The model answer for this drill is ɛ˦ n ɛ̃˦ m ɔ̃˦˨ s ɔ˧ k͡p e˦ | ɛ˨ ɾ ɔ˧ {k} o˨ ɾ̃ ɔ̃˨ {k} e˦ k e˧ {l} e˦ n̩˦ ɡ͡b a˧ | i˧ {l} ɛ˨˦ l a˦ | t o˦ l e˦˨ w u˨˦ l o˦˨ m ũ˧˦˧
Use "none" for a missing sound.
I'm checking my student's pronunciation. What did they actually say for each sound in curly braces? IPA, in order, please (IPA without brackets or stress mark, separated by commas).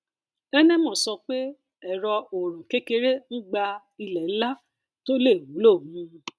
none, k, ɾ, l